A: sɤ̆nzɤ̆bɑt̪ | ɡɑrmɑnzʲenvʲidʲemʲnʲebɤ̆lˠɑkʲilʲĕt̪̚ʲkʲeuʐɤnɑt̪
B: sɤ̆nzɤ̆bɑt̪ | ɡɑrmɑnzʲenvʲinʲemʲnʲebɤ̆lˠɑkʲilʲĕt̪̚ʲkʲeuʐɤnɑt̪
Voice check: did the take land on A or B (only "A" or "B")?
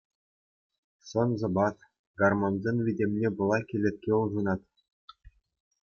A